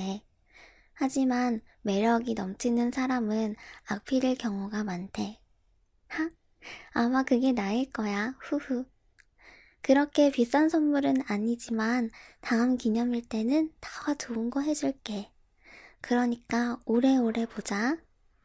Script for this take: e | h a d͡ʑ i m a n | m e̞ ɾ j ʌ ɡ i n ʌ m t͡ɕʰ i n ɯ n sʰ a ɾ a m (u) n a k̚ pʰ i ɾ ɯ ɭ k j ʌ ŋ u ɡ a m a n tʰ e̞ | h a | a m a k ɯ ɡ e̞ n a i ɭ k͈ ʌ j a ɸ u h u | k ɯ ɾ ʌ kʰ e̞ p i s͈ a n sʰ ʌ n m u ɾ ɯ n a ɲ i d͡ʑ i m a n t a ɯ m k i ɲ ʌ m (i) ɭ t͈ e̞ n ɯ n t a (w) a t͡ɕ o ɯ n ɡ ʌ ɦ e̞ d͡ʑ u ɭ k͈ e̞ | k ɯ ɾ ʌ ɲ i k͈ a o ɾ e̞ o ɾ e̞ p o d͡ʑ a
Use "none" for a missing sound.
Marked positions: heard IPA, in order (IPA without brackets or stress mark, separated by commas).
ɯ, i, w